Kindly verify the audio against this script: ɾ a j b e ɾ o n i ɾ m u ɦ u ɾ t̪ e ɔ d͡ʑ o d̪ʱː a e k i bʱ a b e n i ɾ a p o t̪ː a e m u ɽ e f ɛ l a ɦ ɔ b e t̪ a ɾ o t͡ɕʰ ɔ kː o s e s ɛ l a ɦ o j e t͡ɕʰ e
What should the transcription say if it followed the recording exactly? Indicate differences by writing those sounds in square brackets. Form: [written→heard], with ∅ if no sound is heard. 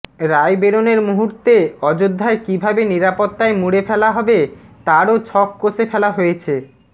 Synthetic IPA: ɾ a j b e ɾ o n [i→e] ɾ m u ɦ u ɾ t̪ e ɔ d͡ʑ o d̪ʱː a e k i bʱ a b e n i ɾ a p o t̪ː a e m u ɽ e f ɛ l a ɦ ɔ b e t̪ a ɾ o t͡ɕʰ ɔ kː o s e [s→f] ɛ l a ɦ o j e t͡ɕʰ e